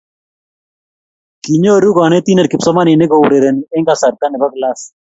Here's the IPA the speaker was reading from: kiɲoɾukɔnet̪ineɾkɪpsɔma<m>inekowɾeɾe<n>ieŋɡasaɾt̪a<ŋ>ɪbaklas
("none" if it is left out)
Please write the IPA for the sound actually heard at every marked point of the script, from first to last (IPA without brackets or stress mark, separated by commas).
n, n, n